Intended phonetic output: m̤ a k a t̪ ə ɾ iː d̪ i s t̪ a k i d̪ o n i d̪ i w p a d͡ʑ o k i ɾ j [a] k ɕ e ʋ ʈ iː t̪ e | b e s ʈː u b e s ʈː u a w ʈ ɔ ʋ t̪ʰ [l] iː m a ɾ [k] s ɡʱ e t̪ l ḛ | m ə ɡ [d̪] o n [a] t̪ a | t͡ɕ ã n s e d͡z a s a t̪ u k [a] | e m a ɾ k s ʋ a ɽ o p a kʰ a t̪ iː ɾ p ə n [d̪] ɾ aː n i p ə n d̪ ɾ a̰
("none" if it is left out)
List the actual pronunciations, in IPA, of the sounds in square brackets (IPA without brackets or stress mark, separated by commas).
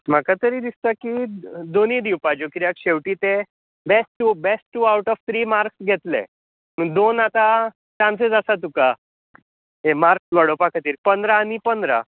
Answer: a, ɾ, k, d̪, a, a, d̪